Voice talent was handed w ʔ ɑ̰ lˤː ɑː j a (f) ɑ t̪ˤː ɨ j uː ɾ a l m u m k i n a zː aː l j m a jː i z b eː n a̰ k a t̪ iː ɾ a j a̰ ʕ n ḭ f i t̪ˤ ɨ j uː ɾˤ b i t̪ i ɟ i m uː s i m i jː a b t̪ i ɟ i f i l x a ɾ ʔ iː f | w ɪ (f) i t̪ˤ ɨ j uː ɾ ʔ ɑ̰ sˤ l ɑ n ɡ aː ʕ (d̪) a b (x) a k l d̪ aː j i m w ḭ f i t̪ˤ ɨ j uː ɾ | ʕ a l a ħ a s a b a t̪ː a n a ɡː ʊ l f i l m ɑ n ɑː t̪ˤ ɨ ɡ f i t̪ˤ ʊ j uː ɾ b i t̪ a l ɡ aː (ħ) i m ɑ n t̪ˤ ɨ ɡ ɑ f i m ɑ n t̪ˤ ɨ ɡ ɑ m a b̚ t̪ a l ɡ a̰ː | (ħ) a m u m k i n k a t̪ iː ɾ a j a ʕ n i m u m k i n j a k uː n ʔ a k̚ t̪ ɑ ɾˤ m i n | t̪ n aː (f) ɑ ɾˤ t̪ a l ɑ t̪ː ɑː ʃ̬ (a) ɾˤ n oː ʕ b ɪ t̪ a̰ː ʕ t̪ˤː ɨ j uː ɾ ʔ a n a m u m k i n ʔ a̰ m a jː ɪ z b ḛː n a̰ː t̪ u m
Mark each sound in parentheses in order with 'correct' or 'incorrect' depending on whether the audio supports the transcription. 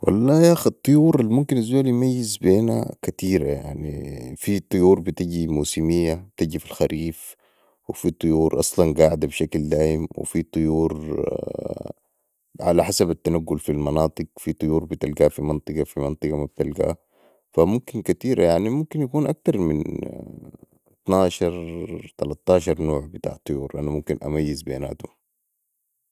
incorrect: x, correct, correct, incorrect: ʃ, incorrect: f, incorrect: f, incorrect: ʃ, incorrect: ɑ

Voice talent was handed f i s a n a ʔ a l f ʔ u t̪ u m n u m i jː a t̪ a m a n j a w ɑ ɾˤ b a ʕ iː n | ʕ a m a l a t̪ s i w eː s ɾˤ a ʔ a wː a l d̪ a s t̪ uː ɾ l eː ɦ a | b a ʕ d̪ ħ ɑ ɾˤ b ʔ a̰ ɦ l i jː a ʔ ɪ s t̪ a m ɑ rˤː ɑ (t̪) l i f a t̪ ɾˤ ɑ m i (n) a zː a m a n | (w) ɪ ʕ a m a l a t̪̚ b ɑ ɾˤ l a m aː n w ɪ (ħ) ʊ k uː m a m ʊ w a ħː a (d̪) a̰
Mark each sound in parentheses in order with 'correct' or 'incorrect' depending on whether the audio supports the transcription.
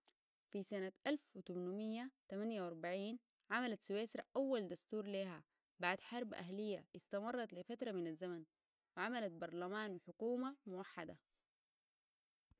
correct, correct, correct, correct, correct

